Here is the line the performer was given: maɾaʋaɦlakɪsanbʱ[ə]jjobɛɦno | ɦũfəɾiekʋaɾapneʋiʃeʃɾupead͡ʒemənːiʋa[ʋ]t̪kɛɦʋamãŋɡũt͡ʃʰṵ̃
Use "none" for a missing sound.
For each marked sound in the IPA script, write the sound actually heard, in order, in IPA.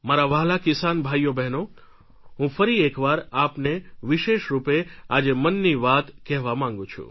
a, none

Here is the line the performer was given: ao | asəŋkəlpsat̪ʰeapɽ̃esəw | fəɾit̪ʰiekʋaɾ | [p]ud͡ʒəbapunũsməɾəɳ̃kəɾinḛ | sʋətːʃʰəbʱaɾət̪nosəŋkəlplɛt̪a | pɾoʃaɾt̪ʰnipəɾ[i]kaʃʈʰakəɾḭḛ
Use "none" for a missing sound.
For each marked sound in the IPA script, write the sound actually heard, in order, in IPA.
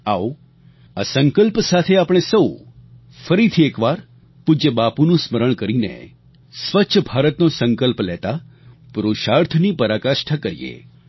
p, a

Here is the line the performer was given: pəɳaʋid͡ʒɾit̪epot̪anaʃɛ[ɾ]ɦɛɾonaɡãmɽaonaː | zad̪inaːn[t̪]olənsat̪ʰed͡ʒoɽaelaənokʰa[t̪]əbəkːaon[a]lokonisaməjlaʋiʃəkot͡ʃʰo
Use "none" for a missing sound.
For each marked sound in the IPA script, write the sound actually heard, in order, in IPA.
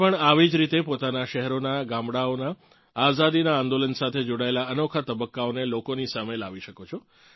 none, d̪, t̪, e

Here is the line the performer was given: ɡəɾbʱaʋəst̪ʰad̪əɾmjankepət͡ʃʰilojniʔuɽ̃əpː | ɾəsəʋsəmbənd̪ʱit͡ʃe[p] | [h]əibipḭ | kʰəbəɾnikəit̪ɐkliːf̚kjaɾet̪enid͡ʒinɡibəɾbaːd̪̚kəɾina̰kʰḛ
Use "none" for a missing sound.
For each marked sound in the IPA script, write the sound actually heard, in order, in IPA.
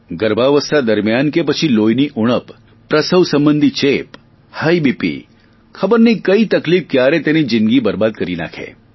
p, h

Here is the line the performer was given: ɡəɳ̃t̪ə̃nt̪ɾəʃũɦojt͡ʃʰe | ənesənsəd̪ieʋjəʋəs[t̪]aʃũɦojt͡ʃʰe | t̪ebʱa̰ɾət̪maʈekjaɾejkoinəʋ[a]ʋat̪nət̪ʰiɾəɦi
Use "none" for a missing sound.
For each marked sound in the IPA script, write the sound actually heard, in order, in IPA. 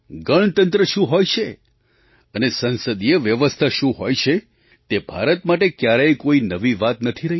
t̪ʰ, i

